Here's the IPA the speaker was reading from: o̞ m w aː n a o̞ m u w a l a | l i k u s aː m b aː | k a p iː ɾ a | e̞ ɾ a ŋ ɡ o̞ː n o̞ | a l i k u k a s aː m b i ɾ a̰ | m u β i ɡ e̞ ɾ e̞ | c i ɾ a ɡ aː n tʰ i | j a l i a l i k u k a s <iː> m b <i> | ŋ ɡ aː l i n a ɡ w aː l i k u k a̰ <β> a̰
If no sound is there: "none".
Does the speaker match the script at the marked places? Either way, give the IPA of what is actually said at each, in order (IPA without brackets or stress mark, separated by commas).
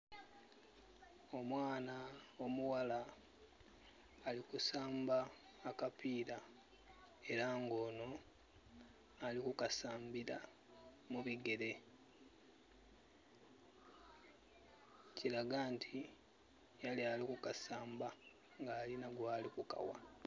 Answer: aː, a, w